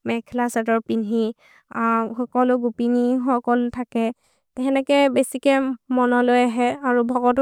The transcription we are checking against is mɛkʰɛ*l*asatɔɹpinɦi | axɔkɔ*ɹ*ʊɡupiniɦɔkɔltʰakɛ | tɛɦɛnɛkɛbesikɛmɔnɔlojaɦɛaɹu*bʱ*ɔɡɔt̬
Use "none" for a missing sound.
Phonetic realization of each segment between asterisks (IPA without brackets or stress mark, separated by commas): l, l, bʱ